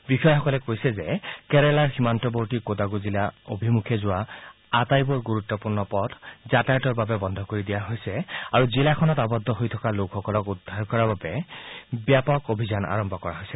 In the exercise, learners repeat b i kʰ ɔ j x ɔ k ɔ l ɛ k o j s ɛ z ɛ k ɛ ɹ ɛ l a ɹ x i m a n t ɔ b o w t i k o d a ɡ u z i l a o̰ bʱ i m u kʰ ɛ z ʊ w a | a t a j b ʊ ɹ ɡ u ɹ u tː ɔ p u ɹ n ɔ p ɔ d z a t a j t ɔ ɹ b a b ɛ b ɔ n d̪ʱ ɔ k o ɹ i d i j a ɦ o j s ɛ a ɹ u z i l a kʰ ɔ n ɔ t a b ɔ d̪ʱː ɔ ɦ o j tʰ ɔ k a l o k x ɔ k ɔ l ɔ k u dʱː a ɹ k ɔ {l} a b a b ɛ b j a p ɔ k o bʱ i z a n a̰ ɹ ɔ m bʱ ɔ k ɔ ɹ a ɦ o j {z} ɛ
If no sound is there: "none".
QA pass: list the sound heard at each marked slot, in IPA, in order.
ɹ, s

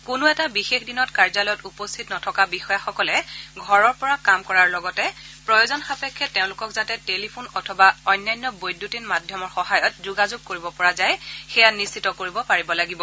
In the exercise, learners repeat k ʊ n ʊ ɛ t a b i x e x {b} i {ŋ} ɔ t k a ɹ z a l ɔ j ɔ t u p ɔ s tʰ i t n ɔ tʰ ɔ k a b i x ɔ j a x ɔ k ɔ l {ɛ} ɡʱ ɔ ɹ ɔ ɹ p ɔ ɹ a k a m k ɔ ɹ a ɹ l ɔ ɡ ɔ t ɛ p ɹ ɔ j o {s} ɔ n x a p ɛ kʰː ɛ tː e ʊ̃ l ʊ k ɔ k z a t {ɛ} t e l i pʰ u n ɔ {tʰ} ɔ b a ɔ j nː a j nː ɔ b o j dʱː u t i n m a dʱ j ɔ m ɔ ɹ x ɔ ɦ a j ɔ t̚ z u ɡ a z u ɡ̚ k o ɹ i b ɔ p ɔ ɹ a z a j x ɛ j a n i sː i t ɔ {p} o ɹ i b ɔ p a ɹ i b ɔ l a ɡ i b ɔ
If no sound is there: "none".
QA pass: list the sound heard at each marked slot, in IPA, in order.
d, n, ɛ, z, ɛ, tʰ, k

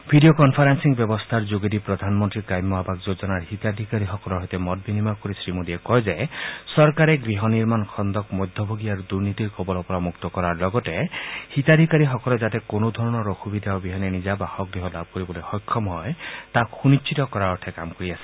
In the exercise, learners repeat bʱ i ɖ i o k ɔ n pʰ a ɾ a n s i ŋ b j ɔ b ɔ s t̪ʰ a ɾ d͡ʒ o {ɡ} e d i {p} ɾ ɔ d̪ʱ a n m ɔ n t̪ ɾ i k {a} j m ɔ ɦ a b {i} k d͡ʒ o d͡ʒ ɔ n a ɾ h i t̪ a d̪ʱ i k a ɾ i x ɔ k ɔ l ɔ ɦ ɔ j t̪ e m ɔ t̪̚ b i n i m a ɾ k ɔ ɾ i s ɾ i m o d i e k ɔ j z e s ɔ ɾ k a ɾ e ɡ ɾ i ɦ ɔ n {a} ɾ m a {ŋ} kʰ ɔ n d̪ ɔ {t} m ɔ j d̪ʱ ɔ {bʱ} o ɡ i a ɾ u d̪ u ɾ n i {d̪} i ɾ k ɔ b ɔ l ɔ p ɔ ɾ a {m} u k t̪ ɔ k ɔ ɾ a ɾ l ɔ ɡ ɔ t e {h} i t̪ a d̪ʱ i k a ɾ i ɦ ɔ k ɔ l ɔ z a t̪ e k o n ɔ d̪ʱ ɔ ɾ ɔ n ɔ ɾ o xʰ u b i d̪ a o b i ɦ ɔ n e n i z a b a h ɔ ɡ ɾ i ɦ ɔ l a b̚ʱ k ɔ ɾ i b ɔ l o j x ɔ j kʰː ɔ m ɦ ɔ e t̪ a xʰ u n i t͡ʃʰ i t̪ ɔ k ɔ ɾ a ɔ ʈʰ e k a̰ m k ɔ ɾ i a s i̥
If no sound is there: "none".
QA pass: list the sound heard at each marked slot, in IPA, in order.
ɡ, p, a, a, i, n, k, bʱ, t̪, m, h

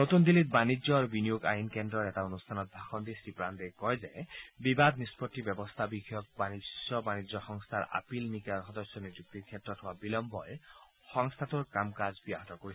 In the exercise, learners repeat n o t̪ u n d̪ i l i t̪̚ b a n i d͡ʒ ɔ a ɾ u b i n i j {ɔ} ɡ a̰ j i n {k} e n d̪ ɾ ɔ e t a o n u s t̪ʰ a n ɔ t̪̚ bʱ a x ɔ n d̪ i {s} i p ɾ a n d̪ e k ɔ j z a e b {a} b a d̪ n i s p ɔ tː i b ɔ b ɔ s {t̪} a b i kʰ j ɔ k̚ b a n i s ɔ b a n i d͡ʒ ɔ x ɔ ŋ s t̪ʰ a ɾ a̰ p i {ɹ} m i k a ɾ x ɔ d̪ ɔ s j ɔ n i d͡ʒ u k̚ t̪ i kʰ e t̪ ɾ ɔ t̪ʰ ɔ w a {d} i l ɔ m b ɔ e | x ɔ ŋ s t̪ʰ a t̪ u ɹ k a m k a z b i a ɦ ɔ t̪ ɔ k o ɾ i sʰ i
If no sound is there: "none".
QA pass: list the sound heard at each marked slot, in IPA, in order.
o, k, s, i, t̪ʰ, l, b

